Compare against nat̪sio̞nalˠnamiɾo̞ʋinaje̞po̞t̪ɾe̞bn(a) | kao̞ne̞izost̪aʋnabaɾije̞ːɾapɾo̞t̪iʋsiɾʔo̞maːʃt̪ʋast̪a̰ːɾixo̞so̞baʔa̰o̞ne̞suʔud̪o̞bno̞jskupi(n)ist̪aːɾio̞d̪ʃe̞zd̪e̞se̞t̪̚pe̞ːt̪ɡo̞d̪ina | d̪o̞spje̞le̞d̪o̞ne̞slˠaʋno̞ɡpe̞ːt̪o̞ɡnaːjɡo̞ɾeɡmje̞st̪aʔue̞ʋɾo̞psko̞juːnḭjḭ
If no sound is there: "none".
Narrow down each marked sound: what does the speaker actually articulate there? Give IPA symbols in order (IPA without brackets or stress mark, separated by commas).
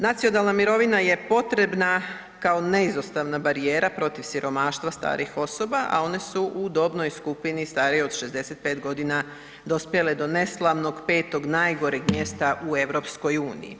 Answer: a, n